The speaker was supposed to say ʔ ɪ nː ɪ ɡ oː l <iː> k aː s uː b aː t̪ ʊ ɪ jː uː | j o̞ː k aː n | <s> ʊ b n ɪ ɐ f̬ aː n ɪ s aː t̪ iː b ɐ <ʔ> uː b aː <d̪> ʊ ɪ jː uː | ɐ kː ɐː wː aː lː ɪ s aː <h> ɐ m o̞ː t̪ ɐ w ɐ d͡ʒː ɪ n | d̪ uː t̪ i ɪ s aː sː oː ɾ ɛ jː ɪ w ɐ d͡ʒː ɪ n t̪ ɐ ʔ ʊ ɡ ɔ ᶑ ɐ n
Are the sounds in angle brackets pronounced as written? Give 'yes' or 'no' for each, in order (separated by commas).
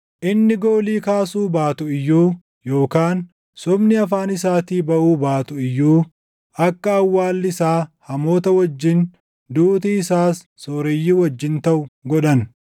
yes, yes, yes, no, yes